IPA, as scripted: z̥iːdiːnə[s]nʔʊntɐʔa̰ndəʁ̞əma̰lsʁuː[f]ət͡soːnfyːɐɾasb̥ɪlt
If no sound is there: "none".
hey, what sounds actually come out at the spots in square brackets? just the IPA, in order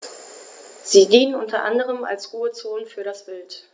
none, none

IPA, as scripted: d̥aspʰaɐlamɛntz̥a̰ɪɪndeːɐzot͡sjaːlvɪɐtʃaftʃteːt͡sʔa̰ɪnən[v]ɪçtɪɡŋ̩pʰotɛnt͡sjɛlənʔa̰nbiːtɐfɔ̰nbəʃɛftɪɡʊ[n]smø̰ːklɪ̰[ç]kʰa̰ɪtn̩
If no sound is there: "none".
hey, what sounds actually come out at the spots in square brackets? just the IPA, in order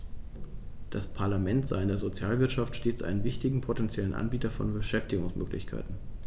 v, ŋ, ç

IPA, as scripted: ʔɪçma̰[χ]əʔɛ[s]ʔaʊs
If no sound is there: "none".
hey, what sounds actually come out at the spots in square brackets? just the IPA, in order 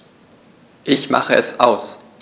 χ, s

